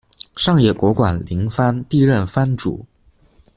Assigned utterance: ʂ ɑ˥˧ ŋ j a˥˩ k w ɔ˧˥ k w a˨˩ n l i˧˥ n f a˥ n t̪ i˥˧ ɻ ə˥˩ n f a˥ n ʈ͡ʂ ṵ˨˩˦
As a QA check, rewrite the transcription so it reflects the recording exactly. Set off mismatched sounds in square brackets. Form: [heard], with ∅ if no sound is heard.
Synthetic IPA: ʂ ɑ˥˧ ŋ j [ɛ˥˩] k w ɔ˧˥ k w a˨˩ n l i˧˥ [ŋ] f a˥ n t̪ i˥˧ ɻ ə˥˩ n f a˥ n ʈ͡ʂ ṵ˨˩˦